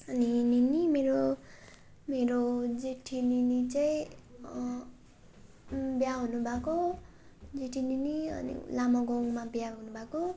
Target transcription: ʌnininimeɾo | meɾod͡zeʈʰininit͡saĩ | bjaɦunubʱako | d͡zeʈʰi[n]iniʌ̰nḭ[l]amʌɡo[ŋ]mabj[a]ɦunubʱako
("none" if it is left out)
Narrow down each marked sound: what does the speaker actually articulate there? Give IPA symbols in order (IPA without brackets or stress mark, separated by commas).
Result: n, l, ŋ, a